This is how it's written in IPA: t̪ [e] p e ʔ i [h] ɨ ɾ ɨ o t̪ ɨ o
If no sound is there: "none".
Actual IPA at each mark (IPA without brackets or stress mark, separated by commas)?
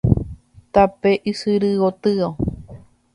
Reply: a, s